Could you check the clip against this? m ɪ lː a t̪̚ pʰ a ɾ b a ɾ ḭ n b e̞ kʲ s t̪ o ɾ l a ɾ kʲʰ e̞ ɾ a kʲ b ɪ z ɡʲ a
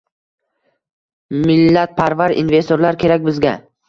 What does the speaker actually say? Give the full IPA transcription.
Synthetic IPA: m ɪ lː a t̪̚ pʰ a ɾ v a ɾ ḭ n v e̞ s t̪ o ɾ l a ɾ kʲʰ e̞ ɾ a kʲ b ɪ z ɡʲ a